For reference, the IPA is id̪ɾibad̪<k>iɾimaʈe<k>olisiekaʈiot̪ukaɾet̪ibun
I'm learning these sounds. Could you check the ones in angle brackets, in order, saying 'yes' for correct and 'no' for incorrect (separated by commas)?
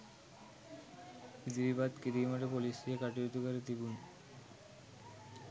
yes, no